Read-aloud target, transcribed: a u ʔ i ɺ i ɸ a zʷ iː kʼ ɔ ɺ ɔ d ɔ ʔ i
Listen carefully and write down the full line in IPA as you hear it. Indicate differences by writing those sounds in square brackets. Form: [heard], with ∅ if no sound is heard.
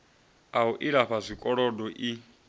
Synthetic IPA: a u ʔ i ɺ [a] ɸ a zʷ [i] kʼ ɔ ɺ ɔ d ɔ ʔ i